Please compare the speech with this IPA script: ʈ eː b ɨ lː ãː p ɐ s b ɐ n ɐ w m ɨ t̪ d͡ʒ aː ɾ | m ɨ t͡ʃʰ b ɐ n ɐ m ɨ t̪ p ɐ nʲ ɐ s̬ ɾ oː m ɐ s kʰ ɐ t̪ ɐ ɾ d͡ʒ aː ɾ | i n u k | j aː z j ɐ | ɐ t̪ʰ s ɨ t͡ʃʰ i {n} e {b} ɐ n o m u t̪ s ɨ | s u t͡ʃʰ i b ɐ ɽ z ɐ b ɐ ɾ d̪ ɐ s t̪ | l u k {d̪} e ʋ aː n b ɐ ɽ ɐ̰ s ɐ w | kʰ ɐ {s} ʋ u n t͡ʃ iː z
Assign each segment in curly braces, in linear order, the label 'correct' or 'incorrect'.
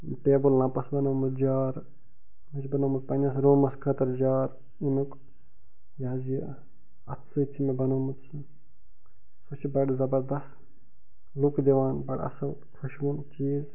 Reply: incorrect: m, correct, correct, incorrect: ʃ

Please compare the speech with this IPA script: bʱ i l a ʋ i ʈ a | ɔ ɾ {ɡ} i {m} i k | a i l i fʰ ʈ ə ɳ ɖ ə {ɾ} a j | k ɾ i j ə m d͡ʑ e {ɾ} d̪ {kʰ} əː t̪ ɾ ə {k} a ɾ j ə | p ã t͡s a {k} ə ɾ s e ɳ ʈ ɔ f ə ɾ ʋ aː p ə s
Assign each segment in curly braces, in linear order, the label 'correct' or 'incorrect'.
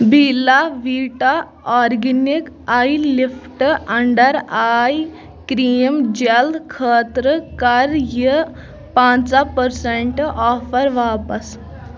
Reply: correct, incorrect: n, correct, incorrect: l, correct, correct, incorrect: p

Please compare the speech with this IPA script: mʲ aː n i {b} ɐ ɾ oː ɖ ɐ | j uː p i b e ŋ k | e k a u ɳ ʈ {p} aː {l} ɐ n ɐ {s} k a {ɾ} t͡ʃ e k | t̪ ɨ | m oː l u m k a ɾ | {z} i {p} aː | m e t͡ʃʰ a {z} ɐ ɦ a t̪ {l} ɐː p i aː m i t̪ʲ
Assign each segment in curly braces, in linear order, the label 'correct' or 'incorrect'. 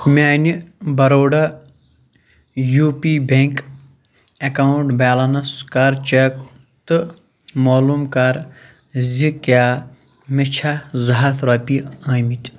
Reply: correct, incorrect: b, correct, correct, correct, correct, incorrect: k, correct, incorrect: ɾ

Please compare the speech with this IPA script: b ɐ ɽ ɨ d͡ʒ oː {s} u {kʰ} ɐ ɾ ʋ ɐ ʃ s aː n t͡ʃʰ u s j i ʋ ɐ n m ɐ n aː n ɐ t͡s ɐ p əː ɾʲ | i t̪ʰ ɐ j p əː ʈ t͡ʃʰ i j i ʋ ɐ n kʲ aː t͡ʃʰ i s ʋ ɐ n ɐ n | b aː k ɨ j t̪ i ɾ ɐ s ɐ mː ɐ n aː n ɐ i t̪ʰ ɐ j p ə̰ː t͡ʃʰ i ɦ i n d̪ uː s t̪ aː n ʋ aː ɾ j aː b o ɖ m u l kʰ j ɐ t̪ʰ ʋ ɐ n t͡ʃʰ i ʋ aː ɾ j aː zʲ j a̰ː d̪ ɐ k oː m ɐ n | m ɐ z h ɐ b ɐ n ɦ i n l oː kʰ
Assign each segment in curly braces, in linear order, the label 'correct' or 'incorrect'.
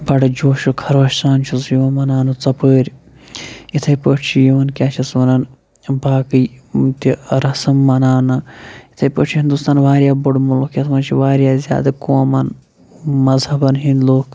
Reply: incorrect: ʃ, correct

